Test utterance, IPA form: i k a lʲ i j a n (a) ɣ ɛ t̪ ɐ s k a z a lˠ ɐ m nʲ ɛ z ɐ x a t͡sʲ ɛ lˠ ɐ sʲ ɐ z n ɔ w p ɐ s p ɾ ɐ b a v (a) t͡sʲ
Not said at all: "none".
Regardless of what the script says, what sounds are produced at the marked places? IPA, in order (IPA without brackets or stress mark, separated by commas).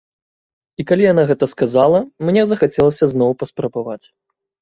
a, a